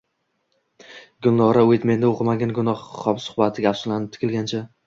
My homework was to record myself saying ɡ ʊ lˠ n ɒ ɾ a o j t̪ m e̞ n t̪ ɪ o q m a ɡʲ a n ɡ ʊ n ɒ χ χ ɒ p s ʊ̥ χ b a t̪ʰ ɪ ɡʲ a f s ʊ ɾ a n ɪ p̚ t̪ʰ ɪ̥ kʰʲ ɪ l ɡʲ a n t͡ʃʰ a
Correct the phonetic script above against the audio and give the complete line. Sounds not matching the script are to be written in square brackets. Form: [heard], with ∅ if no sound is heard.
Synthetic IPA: ɡ ʊ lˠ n ɒ ɾ a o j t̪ m e̞ n [d̪] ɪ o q m a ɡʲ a n ɡ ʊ n ɒ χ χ ɒ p s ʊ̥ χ b a t̪ʰ ɪ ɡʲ a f s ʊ [l] a n ɪ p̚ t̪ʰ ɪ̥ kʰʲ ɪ l ɡʲ a n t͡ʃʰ a